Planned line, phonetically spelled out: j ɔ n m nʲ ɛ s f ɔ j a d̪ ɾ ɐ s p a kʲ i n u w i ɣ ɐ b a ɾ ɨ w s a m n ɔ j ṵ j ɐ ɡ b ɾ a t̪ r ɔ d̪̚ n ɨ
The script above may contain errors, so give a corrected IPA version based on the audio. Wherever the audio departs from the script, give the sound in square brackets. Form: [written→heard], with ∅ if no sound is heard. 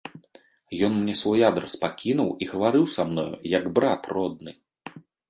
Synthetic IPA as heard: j ɔ n m nʲ ɛ s [f→v] ɔ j a d̪ ɾ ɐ s p a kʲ i n u w i ɣ ɐ [b→v] a ɾ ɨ w s a m n ɔ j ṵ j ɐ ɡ b ɾ a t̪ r ɔ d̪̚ n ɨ